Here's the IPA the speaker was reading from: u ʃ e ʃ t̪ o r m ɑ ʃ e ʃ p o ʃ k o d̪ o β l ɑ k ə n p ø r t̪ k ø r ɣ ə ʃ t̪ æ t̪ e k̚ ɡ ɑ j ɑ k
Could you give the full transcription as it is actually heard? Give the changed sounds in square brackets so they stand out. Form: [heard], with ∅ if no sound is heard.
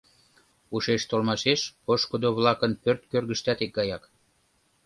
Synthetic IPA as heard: u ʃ e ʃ t̪ o [l] m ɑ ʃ e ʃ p o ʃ k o d̪ o β l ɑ k ə n p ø r t̪ k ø r ɣ ə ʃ t̪ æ t̪ e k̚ ɡ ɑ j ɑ k

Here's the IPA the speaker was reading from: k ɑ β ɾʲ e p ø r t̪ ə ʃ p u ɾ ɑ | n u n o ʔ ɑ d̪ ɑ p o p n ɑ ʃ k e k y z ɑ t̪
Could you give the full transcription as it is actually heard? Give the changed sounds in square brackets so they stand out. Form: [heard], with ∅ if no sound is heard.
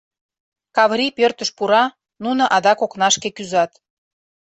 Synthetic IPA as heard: k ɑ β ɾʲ [i] p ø r t̪ ə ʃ p u ɾ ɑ | n u n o ʔ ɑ d̪ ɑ [k] o [k] n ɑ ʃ k e k y z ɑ t̪

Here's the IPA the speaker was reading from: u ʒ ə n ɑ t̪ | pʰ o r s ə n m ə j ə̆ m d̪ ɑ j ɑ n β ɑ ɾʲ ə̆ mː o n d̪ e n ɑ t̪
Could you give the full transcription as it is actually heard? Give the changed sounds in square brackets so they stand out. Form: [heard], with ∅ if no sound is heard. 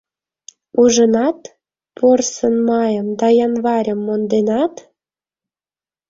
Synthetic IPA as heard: u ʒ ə n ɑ t̪ | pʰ o r s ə n m [ɑ] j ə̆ m d̪ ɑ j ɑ n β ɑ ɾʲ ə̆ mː o n d̪ e n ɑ t̪

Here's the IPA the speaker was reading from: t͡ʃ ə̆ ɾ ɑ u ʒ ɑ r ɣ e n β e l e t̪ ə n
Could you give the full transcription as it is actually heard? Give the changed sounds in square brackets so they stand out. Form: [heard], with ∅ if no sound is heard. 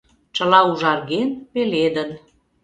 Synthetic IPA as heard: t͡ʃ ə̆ [l] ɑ u ʒ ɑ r ɣ e n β e l e [d̪] ə n

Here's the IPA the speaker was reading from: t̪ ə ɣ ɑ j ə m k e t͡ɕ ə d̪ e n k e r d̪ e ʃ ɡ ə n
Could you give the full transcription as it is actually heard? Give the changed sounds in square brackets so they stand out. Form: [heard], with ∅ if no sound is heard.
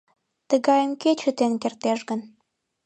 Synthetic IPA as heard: t̪ ə ɣ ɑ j ə m k e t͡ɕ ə [t̪] e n k e r [t̪] e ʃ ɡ ə n

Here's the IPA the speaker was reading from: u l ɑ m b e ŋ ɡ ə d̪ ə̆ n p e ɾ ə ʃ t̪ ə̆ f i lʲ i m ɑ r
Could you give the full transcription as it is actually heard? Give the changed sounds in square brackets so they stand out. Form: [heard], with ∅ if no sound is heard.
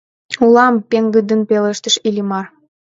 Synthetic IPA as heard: u l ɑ m [p] e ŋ ɡ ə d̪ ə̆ n p e [l] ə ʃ t̪ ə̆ [ʃ] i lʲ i m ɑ r

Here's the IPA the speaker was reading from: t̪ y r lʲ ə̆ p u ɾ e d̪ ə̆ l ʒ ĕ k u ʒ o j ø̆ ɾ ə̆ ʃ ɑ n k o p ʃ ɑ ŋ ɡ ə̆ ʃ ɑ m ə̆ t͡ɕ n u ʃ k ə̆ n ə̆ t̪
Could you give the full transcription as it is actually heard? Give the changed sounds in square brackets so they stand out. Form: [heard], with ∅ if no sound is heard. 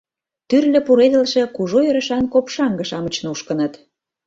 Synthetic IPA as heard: t̪ y r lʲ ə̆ p u ɾ e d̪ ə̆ l [ʃ] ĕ k u ʒ o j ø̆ ɾ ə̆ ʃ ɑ n k o p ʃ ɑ ŋ ɡ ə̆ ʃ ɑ m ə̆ t͡ɕ n u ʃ k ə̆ n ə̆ t̪

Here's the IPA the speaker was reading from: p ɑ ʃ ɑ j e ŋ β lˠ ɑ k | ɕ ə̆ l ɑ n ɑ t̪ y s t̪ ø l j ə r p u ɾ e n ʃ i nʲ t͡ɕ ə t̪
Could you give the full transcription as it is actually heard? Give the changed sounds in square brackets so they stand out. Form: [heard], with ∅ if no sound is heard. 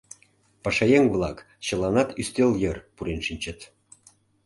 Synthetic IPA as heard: p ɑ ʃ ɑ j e ŋ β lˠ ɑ k | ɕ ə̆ l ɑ n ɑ t̪ y s t̪ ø l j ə r p u ɾ e n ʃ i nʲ t͡ɕ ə t̪

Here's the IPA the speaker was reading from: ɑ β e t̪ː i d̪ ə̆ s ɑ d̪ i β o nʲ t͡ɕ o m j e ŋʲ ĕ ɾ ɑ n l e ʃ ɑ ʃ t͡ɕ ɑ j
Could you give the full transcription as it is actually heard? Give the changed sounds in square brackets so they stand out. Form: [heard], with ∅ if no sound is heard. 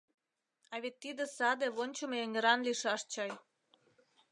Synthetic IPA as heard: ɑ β e t̪ː i d̪ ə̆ s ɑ d̪ [e] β o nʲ t͡ɕ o m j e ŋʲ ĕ ɾ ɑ n l [i] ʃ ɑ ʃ t͡ɕ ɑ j

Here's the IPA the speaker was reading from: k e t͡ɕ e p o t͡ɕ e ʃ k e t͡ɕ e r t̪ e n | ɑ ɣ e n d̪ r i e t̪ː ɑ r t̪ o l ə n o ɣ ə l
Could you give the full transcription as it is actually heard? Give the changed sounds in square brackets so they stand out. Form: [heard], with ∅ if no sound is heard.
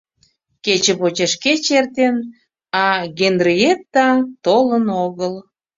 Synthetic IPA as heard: k e t͡ɕ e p o t͡ɕ e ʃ k e t͡ɕ e r t̪ e n | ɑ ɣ e n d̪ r i e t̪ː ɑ [∅] t̪ o l ə n o ɣ ə l

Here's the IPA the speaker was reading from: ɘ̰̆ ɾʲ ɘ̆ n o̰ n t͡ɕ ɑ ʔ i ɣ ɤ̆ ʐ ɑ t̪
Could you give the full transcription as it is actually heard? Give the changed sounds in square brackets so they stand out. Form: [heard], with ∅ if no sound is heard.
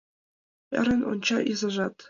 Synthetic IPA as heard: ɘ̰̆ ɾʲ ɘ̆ n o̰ n t͡ɕ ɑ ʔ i [z] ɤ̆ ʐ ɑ t̪

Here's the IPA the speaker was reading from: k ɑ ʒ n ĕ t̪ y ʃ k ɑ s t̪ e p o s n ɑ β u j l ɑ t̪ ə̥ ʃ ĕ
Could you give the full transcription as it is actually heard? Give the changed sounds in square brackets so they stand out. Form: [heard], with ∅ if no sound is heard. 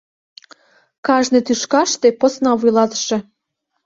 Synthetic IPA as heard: k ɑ ʒ n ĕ t̪ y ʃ k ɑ [ʃ] t̪ e p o s n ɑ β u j l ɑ t̪ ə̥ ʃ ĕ

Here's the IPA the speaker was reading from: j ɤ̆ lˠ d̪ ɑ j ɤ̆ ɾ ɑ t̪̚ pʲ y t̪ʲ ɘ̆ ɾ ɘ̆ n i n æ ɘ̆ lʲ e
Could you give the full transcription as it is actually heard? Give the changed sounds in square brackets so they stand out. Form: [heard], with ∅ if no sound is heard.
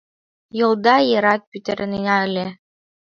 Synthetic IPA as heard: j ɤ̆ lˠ d̪ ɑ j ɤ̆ ɾ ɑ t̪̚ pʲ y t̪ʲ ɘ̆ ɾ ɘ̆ n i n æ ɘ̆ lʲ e

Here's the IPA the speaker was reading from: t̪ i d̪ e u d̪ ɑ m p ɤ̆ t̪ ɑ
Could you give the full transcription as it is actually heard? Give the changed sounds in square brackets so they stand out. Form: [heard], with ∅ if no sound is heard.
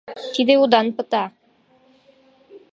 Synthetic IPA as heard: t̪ i d̪ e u d̪ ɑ [n] p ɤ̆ t̪ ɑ

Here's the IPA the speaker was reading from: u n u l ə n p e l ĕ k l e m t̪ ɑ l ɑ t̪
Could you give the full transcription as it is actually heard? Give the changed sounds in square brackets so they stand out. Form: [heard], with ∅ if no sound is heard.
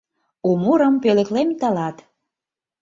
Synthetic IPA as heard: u [m] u [ɾ] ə [m] p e l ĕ k l e m t̪ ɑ l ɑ t̪

